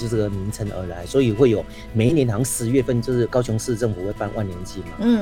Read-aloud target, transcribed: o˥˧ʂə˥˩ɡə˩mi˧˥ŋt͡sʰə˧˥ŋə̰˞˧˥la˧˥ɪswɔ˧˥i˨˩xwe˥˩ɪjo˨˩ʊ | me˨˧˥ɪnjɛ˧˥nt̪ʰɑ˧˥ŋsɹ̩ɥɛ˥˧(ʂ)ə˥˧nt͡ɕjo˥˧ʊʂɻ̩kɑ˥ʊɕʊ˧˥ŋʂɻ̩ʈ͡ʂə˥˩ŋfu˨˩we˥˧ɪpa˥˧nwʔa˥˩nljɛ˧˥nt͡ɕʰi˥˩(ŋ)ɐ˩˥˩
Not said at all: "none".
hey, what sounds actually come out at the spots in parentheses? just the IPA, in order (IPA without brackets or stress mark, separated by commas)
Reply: f, m